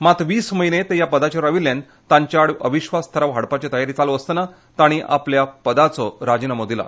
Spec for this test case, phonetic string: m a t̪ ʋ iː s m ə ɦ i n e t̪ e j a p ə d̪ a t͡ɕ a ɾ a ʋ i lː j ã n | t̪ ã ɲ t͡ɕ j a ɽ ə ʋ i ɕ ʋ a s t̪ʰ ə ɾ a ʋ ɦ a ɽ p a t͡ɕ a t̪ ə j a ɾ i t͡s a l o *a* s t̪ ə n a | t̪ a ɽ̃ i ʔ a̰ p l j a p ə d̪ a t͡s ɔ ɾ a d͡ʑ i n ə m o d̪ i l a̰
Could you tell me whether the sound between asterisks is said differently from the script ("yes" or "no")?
yes